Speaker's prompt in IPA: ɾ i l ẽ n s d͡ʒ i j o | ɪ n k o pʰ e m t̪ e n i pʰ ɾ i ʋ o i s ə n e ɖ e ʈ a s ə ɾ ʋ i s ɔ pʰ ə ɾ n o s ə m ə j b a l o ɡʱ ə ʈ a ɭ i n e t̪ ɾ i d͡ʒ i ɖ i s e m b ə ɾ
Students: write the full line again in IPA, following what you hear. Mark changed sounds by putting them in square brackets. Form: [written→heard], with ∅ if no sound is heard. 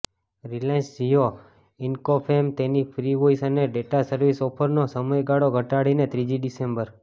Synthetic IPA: ɾ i l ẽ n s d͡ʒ i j o | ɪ n k o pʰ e m t̪ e n i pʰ ɾ i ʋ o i s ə n e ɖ e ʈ a s ə ɾ ʋ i s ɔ pʰ ə ɾ n o s ə m ə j [b→ɡ] a [l→ɽ] o ɡʱ ə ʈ a [ɭ→ɽ] i n e t̪ ɾ i d͡ʒ i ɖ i s e m b ə ɾ

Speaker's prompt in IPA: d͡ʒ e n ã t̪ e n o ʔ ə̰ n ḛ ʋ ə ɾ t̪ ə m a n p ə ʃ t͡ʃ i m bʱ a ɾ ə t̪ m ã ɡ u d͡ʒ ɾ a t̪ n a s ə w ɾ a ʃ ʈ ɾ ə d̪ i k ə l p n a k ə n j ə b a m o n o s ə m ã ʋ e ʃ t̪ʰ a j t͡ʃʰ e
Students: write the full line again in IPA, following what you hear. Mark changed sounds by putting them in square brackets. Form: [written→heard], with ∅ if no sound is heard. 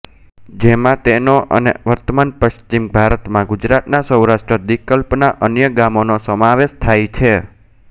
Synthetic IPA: d͡ʒ e [n→m] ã t̪ e n o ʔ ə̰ n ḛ ʋ ə ɾ t̪ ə m a n p ə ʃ t͡ʃ i m bʱ a ɾ ə t̪ m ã ɡ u d͡ʒ ɾ a t̪ n a s ə w ɾ a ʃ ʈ ɾ ə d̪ i k ə l p n a [k→ʔ] ə n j ə [b→ɡ] a m o n o s ə m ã ʋ e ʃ t̪ʰ a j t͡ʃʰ e

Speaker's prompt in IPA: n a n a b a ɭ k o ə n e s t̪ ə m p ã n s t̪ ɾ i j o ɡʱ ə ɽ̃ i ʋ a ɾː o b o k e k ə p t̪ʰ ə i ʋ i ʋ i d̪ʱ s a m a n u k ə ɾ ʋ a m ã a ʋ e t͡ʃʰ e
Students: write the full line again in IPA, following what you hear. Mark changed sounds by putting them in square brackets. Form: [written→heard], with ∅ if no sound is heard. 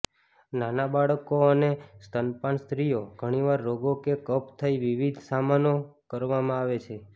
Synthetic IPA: n a n a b a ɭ k o ə n e s t̪ ə [m→n] p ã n s t̪ ɾ i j o ɡʱ ə ɽ̃ i ʋ a ɾː o [b→ɡ] o k e k ə p t̪ʰ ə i ʋ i ʋ i d̪ʱ s a m a n [u→o] k ə ɾ ʋ a m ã a ʋ e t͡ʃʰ e

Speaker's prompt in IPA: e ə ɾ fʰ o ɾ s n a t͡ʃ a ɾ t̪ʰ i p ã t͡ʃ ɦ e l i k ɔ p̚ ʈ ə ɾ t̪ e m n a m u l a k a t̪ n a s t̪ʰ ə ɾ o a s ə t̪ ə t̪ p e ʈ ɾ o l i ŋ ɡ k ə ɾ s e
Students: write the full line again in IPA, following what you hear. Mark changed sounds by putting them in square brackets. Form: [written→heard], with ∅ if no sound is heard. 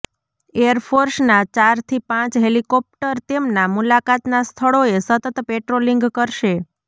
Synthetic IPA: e ə ɾ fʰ o ɾ s n a t͡ʃ a ɾ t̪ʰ i p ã t͡ʃ ɦ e l i k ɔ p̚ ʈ ə ɾ t̪ e m n a m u l a k a t̪ n a s t̪ʰ ə [ɾ→ɭ] o [a→e] s ə t̪ ə t̪ p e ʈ ɾ o l i ŋ ɡ k ə ɾ [s→ʃ] e

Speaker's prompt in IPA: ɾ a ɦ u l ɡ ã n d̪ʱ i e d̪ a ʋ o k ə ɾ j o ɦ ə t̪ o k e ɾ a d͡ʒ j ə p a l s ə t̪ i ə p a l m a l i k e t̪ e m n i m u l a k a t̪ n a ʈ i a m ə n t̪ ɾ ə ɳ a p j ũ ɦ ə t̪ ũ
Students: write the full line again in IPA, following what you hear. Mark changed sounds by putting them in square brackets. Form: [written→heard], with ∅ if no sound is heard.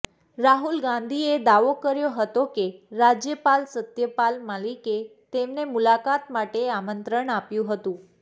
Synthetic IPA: ɾ a ɦ u l ɡ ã n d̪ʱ i e d̪ a ʋ o k ə ɾ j o ɦ ə t̪ o k e ɾ a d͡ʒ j ə p a l s ə t̪ [i→j] ə p a l m a l i k e t̪ e m n [i→e] m u l a k a t̪ [n→m] a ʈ [i→e] a m ə n t̪ ɾ ə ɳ a p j ũ ɦ ə t̪ ũ

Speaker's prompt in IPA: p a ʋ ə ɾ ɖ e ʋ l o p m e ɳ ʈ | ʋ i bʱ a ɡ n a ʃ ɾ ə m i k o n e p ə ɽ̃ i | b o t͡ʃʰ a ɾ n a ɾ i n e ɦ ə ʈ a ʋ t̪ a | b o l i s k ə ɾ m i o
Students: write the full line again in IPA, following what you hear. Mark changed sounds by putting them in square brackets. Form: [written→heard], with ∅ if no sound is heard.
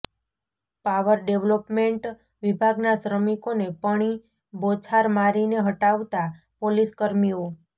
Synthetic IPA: p a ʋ ə ɾ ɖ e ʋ l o p m e ɳ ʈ | ʋ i bʱ a ɡ n a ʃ ɾ ə m i k o n e p ə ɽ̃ i | b o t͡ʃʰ a ɾ [n→m] a ɾ i n e ɦ ə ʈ a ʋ t̪ a | [b→p] o l i s k ə ɾ m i o

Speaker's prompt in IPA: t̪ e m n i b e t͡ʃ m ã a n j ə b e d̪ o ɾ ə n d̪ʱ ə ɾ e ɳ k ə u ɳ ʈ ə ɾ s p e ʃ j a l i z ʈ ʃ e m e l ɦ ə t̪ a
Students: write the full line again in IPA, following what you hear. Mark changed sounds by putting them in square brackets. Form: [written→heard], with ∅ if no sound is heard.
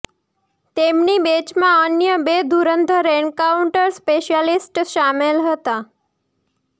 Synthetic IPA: t̪ e m n i b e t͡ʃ m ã [a→ə] n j ə b e d̪ [o→u] ɾ ə n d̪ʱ ə ɾ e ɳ k [ə→a] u ɳ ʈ ə ɾ s p e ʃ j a l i [z→s] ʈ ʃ [e→a] m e l ɦ ə t̪ a

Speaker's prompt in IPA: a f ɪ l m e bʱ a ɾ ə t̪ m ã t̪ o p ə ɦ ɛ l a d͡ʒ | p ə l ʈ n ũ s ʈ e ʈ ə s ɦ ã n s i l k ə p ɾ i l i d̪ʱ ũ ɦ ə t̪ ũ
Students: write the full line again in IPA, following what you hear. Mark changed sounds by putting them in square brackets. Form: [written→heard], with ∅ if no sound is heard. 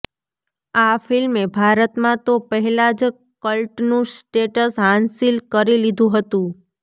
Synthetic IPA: a f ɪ l m e bʱ a ɾ ə t̪ m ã t̪ o p ə ɦ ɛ l a d͡ʒ | [p→k] ə l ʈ n ũ s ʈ e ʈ ə s ɦ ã n s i l k ə [p→∅] ɾ i l i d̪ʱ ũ ɦ ə t̪ ũ

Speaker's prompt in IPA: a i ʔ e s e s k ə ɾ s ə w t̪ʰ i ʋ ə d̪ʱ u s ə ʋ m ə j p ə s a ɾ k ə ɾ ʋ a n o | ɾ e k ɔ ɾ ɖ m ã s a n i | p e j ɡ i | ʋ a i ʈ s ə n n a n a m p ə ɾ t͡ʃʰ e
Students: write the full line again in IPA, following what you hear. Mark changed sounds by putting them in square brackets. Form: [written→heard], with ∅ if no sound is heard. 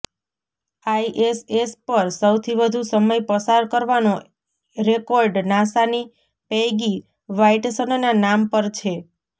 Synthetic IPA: a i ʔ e s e s [k→p] ə ɾ s ə w t̪ʰ i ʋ ə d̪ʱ u s ə [ʋ→∅] m ə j p ə s a ɾ k ə ɾ ʋ a n o | ɾ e k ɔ ɾ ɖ [m→n] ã s a n i | p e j ɡ i | ʋ a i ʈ s ə n n a n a m p ə ɾ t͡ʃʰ e

